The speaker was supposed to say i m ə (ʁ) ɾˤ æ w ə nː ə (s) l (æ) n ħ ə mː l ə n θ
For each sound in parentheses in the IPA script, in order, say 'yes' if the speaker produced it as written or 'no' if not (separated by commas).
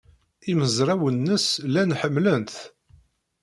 no, yes, yes